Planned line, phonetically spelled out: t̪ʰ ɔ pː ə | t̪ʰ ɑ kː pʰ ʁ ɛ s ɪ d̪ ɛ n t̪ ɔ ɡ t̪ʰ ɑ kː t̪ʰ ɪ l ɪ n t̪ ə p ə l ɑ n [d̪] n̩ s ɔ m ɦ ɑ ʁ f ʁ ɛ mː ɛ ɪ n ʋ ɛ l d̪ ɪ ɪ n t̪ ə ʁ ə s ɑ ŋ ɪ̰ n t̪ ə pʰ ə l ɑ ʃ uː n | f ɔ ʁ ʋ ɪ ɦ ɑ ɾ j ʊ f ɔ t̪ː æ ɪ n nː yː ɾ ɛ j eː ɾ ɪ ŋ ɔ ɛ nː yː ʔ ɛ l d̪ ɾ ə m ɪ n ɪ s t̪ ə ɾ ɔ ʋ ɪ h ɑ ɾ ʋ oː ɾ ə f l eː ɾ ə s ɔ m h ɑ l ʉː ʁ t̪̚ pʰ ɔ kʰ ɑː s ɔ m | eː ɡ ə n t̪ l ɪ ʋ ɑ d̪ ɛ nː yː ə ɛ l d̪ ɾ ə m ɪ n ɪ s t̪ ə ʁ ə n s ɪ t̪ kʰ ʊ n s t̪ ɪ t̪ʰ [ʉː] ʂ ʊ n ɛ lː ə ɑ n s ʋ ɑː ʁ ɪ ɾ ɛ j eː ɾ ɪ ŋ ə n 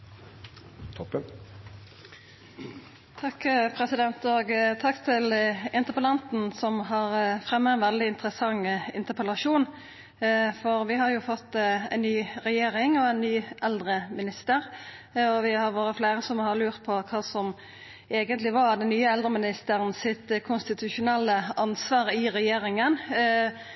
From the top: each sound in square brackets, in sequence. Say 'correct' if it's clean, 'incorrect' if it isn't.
incorrect, incorrect

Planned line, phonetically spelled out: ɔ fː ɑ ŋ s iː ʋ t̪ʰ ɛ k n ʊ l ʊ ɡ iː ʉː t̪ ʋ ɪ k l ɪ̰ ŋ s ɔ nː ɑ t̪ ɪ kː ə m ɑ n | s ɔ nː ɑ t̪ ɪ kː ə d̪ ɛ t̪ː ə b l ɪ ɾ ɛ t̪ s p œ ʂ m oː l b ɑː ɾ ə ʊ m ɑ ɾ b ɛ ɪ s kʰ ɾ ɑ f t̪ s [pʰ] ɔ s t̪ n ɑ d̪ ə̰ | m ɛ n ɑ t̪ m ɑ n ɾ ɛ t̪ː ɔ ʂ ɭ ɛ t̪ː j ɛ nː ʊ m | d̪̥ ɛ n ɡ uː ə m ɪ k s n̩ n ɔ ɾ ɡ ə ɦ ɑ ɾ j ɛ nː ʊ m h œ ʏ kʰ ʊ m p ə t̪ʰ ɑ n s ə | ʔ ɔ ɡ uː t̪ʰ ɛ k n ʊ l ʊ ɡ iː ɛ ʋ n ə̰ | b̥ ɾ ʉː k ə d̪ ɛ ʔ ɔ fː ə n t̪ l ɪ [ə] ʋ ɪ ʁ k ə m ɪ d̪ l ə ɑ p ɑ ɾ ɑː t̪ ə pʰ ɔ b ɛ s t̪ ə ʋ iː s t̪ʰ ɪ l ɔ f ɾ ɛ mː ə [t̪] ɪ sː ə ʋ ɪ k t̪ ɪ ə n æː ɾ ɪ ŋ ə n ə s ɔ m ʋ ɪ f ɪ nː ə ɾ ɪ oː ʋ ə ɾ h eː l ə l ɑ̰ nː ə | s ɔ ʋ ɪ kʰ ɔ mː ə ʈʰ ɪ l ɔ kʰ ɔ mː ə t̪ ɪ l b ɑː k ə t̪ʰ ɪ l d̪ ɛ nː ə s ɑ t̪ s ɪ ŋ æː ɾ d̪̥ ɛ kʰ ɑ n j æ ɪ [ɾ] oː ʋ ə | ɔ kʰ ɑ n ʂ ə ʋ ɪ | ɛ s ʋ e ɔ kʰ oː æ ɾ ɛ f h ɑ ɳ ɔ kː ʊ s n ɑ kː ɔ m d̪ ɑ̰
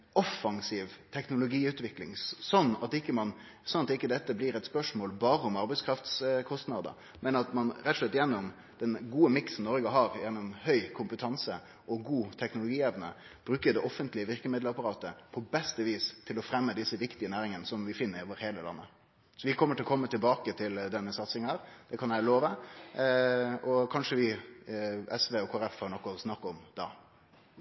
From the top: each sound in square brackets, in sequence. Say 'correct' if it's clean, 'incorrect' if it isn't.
incorrect, correct, incorrect, incorrect

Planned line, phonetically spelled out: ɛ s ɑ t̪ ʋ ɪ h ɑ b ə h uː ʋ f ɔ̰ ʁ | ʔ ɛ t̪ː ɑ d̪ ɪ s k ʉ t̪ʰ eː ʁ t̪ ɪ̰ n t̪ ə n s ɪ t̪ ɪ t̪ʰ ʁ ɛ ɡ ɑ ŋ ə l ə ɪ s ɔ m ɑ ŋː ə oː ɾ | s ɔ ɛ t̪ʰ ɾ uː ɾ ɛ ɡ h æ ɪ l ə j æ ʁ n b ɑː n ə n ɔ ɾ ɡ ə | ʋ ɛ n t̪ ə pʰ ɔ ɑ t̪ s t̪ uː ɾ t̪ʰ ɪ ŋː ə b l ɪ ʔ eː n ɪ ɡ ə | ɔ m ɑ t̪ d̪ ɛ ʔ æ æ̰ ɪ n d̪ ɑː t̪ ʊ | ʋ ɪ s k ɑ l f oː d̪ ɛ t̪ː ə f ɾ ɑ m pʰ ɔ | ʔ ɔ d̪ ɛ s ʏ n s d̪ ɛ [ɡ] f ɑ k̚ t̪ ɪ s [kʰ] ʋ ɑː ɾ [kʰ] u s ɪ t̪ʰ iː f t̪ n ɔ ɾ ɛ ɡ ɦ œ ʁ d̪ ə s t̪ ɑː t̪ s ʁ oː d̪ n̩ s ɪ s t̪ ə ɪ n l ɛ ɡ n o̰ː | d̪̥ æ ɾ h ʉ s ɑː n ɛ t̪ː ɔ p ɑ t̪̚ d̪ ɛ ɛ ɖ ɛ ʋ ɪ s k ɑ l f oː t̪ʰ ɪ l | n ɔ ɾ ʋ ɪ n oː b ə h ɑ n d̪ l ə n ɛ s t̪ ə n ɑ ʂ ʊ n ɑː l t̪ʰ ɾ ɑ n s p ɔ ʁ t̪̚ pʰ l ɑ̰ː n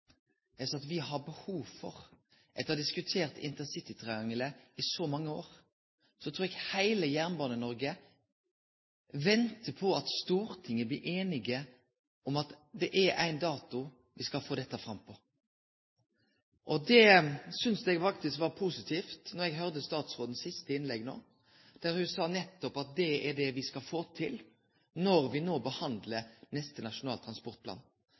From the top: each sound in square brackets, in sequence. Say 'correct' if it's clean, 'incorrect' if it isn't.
correct, incorrect, incorrect

